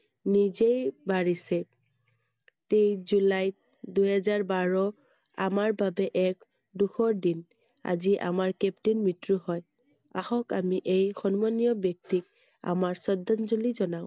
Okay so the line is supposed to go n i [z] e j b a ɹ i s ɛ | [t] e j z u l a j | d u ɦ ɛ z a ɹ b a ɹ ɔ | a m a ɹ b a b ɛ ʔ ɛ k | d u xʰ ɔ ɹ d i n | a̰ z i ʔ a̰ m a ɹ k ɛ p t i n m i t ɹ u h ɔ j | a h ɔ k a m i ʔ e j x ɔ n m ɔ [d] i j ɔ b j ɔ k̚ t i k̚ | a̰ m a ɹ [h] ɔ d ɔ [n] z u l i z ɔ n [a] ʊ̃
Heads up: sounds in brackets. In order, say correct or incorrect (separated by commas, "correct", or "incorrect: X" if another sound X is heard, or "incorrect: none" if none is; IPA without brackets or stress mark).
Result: correct, correct, incorrect: n, incorrect: s, correct, correct